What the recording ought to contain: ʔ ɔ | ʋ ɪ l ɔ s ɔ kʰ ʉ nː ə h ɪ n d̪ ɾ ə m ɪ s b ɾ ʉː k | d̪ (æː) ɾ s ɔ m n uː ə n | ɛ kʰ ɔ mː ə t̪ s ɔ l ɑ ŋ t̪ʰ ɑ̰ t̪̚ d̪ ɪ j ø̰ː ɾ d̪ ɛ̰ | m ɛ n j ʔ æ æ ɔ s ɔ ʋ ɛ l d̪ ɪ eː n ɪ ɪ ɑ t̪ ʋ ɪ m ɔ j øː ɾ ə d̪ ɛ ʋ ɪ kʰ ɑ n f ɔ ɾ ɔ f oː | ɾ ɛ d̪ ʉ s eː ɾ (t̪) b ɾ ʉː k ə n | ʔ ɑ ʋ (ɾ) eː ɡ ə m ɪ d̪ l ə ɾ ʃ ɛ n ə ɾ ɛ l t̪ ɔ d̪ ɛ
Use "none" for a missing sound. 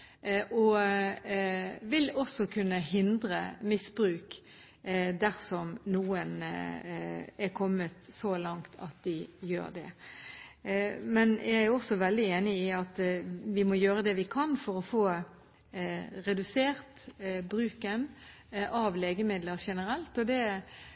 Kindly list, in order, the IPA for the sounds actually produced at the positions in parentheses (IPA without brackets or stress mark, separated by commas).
æ, t̪, l